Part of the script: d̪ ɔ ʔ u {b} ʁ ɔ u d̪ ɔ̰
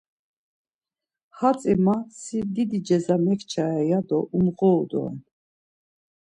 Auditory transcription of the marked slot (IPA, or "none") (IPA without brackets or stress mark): m